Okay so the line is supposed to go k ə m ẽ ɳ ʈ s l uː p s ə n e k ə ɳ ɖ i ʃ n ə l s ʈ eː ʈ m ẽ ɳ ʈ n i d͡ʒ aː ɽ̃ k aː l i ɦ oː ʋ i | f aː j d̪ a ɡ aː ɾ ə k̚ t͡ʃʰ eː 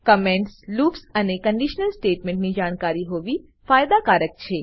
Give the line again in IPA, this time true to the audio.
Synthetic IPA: k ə m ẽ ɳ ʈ s l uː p s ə n e k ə ɳ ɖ i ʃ n ə l s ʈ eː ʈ m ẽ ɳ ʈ n i d͡ʒ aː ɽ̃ k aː ɾ i ɦ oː ʋ i | f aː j d̪ a k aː ɾ ə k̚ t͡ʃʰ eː